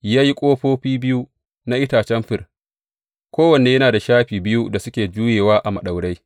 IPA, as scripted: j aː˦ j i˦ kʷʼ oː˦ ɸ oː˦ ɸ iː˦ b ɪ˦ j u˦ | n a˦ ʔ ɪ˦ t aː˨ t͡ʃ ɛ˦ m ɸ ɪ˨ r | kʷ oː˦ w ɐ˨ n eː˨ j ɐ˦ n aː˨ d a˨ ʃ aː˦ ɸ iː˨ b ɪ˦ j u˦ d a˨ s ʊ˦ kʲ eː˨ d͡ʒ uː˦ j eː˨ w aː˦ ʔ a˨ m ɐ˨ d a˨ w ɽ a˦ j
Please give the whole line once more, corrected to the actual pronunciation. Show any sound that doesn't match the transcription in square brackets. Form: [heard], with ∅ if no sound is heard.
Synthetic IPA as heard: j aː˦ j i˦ kʷʼ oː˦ ɸ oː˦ ɸ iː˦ b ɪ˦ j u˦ | n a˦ ʔ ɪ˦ t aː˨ t͡ʃ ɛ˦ m ɸ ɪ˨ r | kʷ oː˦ w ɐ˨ n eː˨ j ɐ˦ n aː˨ d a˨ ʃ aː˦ ɸ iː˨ b ɪ˦ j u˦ d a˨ s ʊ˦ kʲ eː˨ d͡ʒ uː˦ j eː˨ w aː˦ ʔ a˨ m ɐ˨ [ɗ] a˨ w ɽ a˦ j